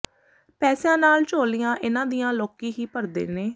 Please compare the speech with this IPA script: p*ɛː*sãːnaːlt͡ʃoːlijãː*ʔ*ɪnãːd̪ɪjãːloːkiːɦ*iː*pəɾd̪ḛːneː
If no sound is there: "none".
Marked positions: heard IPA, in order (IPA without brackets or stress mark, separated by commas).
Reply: ɛː, ʔ, iː